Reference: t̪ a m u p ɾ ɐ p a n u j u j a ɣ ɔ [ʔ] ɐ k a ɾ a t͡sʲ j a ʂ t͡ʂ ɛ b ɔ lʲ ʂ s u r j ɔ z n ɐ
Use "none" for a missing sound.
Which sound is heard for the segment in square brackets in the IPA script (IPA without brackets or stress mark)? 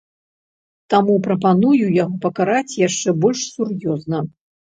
p